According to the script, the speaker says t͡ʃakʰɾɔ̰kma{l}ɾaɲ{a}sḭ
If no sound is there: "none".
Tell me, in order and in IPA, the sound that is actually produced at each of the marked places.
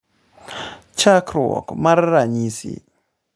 ɾ, i

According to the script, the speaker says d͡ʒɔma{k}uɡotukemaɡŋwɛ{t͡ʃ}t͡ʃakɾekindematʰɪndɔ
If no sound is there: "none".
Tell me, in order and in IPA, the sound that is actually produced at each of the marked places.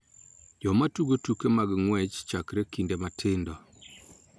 t, t͡ʃ

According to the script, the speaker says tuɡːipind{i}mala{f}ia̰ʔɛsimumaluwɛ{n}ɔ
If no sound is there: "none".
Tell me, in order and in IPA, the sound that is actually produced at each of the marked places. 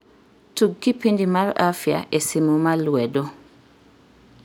i, f, d

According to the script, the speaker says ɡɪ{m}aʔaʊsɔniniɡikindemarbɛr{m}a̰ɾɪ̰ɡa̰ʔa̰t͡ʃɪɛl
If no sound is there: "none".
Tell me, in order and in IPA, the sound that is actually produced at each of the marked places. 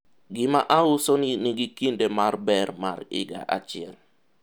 m, m

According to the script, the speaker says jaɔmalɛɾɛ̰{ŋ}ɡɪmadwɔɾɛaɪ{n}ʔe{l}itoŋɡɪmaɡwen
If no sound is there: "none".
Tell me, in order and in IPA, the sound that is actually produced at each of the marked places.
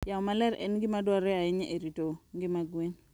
n, ɲ, ɾ

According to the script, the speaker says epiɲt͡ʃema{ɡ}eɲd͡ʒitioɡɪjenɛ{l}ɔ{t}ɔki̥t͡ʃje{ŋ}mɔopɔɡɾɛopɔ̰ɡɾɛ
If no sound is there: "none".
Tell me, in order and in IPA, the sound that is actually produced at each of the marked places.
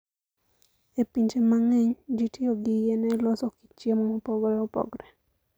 ŋ, l, s, none

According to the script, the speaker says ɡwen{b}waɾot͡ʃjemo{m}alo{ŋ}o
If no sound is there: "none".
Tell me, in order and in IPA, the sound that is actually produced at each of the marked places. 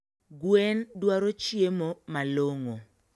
d, m, ŋ

